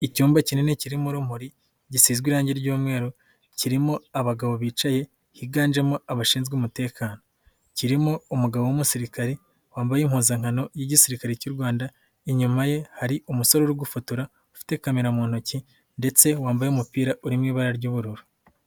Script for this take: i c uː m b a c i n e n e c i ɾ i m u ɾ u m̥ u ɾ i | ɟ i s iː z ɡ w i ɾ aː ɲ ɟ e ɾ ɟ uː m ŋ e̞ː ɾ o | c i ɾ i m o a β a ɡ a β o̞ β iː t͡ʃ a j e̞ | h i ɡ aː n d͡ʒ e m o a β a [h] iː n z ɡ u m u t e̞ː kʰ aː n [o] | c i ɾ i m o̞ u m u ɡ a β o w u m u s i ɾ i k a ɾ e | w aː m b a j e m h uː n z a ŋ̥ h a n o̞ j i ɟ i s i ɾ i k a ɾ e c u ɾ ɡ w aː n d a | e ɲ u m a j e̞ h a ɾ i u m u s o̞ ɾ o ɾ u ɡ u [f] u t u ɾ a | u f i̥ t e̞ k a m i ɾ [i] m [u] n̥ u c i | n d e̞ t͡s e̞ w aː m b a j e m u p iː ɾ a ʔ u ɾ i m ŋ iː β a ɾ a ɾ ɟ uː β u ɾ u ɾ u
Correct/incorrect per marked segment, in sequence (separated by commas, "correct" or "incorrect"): incorrect, correct, correct, incorrect, incorrect